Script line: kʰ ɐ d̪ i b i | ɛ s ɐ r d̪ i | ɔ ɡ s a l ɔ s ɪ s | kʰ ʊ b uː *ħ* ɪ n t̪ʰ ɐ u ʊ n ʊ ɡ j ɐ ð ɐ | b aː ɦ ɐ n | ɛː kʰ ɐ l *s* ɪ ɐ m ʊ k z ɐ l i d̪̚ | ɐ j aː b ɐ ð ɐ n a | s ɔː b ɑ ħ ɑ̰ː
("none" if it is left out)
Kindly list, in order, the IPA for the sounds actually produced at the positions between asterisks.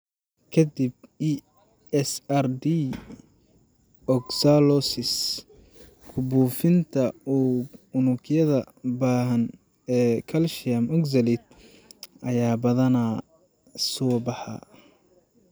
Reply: f, ʃ

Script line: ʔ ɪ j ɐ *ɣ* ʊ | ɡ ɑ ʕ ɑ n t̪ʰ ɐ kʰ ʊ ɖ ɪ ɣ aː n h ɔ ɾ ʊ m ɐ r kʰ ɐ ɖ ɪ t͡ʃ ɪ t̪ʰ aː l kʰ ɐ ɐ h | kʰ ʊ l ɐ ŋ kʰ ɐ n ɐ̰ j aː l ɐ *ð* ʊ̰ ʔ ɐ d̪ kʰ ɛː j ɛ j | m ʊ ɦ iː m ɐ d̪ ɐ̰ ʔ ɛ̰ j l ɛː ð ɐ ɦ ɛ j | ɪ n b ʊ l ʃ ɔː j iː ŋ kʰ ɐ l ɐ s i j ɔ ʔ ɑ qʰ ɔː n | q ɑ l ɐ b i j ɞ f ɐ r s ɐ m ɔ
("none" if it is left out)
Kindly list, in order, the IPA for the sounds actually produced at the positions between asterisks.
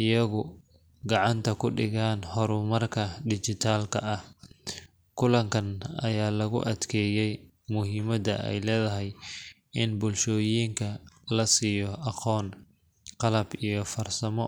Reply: ɣ, ɣ

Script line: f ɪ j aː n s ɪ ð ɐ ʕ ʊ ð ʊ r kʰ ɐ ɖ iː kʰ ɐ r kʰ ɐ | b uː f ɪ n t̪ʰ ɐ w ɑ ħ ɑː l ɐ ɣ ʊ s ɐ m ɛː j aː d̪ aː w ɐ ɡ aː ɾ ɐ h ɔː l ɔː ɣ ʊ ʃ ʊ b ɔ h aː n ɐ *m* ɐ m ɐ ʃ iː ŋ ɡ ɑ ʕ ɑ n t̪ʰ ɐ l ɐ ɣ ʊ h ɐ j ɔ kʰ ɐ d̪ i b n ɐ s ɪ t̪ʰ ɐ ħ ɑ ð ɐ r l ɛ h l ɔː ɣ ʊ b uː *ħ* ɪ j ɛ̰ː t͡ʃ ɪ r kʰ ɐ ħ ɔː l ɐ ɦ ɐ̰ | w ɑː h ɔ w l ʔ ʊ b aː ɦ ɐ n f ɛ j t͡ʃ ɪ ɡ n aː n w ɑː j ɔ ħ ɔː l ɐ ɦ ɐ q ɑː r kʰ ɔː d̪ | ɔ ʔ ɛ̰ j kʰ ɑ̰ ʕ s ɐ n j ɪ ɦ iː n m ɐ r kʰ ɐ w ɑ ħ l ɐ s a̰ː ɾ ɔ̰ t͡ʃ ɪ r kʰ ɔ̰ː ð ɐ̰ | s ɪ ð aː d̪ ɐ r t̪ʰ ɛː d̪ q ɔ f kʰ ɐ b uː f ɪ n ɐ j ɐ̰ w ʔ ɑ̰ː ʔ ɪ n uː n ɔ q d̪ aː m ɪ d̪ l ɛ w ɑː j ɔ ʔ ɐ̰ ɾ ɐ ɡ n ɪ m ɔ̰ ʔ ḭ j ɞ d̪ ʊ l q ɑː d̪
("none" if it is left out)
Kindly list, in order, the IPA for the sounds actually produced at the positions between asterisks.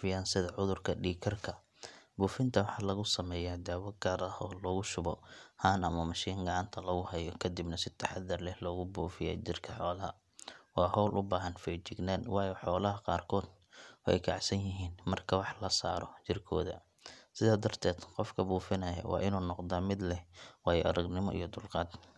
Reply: m, f

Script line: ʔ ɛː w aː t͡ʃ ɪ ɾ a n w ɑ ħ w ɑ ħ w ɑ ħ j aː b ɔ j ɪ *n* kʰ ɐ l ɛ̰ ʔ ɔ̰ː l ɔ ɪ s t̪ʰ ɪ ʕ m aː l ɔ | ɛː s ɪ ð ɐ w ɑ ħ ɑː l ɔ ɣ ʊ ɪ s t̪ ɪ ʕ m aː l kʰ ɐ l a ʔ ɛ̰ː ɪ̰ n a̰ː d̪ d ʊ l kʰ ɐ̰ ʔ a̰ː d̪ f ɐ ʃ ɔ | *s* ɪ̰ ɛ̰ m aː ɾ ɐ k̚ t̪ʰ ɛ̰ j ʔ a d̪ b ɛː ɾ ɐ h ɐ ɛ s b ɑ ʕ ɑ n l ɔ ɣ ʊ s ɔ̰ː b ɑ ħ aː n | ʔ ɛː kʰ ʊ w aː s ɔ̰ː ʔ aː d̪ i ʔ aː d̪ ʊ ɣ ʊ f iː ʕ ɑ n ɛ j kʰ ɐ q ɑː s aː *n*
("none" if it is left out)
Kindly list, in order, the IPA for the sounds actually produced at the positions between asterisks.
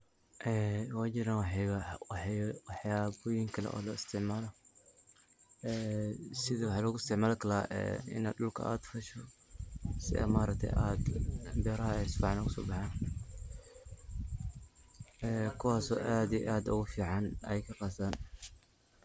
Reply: ŋ, s, n

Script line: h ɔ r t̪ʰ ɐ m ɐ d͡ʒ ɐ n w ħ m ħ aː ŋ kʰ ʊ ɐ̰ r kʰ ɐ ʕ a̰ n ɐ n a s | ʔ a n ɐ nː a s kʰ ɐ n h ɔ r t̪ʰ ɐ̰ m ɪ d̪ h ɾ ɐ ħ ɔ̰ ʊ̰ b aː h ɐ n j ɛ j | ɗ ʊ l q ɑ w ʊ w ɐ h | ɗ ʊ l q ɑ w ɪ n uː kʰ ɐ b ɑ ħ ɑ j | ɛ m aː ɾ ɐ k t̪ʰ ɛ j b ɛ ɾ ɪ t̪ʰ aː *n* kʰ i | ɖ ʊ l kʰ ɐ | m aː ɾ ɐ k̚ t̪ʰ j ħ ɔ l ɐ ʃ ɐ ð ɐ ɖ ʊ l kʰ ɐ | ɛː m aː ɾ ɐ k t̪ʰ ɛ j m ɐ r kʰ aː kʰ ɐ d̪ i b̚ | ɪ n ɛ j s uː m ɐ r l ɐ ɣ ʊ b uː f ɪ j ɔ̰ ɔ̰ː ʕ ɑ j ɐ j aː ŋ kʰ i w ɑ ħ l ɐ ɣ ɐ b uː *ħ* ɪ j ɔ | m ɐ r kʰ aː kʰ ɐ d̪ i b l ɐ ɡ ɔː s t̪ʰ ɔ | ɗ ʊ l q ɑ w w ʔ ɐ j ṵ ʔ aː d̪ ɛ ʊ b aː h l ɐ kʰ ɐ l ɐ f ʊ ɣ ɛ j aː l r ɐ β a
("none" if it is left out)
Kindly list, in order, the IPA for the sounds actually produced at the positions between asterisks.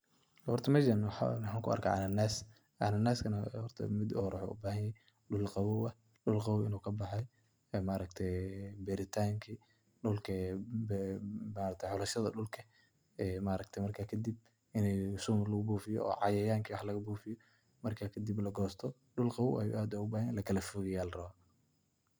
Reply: ŋ, f

